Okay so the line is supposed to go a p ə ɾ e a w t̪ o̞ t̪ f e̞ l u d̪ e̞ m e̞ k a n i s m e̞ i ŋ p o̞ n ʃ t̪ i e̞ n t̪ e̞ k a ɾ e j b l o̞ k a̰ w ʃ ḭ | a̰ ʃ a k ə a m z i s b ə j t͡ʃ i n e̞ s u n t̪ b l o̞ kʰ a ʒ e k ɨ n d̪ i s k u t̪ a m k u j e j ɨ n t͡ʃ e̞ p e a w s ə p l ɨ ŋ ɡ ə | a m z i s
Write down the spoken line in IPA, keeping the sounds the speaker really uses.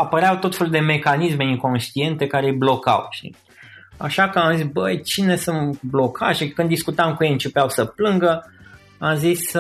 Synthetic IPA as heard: a p ə ɾ e a w t̪ o̞ t̪ f e̞ l u d̪ e̞ m e̞ k a n i s m e̞ i ŋ k o̞ n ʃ t̪ i e̞ n t̪ e̞ k a ɾ e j b l o̞ k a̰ w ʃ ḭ | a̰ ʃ a k ə a m z i s b ə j t͡ʃ i n e̞ s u n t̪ b l o̞ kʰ a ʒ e k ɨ n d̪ i s k u t̪ a m k u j e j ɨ n t͡ʃ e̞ p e a w s ə p l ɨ ŋ ɡ ə | a m z i s